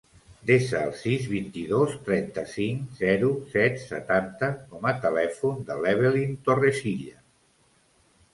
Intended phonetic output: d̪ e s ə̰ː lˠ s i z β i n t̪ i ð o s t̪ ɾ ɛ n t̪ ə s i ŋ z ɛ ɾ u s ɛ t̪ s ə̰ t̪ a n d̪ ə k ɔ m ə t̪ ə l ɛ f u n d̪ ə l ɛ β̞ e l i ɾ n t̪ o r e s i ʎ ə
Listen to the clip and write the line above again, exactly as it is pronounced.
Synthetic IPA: d̪ e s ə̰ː lˠ s i z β i n t̪ i ð o s t̪ ɾ ɛ n t̪ ə s i ŋ z ɛ ɾ u s ɛ t̪ s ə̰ t̪ a n t̪ ə k ɔ m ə t̪ ə l ɛ f u n d̪ ə l ɛ β̞ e l i n t̪ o r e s i ʎ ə